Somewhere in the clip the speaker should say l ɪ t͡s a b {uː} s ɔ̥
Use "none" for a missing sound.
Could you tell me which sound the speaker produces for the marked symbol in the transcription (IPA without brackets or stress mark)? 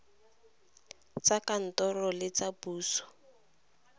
uː